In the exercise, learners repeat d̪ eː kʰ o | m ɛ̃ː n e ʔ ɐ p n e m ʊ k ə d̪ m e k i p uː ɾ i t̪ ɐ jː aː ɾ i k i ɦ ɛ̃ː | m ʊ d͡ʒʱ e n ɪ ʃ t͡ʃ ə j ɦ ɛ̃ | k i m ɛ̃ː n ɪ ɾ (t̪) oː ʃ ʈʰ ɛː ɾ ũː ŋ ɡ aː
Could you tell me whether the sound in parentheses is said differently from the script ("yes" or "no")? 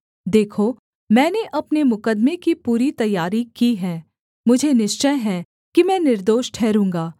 yes